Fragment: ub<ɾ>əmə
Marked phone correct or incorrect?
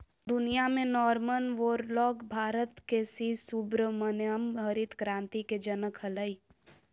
correct